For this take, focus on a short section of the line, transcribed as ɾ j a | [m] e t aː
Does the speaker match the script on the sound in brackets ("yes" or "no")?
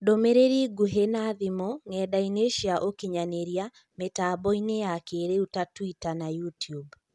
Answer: yes